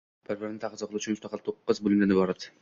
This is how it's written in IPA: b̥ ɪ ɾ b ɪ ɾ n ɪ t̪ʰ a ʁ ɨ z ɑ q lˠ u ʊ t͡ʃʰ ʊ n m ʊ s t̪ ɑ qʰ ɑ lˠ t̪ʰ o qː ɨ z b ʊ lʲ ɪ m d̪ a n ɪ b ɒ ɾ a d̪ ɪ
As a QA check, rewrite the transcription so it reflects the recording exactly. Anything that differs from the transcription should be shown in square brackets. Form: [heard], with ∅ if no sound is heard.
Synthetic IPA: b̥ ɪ ɾ b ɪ ɾ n ɪ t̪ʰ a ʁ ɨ z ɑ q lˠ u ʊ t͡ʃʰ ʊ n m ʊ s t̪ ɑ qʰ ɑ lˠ t̪ʰ o qː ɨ z b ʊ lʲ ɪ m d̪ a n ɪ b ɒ ɾ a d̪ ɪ